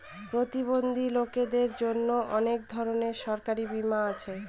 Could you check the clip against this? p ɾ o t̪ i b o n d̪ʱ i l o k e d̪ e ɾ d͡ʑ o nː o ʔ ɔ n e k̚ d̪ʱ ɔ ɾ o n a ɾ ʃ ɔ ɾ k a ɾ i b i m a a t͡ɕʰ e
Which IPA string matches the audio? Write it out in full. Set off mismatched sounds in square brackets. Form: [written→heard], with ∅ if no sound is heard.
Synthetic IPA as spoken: p ɾ o t̪ i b o n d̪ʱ i l o k e d̪ e ɾ d͡ʑ o nː o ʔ ɔ n e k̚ d̪ʱ ɔ ɾ o n [a→e] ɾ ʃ ɔ ɾ k a ɾ i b i m a a t͡ɕʰ e